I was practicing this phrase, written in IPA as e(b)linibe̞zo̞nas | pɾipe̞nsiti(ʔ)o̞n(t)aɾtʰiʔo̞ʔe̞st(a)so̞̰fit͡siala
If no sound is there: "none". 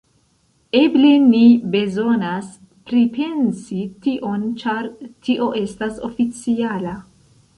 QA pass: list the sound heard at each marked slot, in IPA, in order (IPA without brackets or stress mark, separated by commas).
b, ʔ, t͡ʃ, a